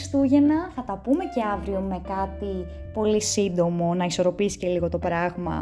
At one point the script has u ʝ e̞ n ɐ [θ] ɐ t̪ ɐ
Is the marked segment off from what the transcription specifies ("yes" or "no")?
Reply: no